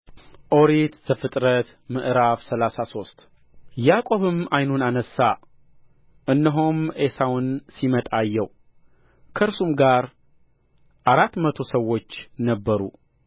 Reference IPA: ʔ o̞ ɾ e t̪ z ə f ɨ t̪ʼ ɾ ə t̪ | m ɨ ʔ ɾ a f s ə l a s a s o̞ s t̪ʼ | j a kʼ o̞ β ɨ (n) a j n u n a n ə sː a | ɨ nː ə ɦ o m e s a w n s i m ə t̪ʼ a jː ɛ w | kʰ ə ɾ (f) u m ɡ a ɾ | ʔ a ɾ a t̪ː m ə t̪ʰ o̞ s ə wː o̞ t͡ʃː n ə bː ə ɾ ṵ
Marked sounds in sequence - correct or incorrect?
incorrect: m, incorrect: s

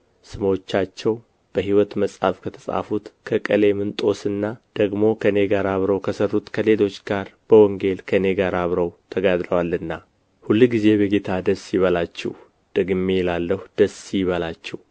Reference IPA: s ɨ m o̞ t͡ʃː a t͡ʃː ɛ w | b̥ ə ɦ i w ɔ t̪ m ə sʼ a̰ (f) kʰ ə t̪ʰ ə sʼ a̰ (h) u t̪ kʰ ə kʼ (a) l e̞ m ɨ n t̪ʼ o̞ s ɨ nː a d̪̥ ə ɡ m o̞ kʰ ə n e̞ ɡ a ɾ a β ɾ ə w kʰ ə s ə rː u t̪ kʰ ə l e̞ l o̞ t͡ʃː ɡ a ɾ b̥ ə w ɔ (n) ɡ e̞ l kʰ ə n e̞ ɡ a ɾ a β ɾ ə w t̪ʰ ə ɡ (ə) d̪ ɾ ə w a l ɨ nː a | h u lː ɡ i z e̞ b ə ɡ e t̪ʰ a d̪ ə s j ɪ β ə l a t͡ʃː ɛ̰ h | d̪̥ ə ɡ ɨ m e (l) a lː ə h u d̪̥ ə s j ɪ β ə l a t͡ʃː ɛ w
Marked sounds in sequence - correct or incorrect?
correct, incorrect: f, incorrect: ə, incorrect: ŋ, incorrect: a, correct

